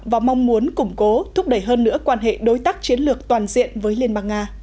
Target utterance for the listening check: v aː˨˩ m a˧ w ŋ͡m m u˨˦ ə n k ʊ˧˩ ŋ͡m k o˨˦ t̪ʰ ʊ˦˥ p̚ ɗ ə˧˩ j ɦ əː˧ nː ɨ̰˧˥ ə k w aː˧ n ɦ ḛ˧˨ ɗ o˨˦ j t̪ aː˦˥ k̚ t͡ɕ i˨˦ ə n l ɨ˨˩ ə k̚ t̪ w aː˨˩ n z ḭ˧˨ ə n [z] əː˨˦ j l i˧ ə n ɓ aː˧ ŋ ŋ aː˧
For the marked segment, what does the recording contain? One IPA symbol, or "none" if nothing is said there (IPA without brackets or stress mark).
v